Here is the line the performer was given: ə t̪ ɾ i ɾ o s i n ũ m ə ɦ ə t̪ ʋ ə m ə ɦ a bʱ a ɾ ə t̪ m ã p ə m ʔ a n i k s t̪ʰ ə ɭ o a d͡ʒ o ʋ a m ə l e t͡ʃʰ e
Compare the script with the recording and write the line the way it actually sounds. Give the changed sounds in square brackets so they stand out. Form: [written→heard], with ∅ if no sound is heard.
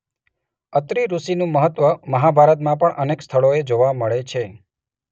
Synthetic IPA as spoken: ə t̪ ɾ i ɾ [o→u] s i n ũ m ə ɦ ə t̪ ʋ ə m ə ɦ a bʱ a ɾ ə t̪ m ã p ə [m→ɳ] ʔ [a→ə] n [i→e] k s t̪ʰ ə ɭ o [a→e] d͡ʒ o ʋ a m ə [l→ɭ] e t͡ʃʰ e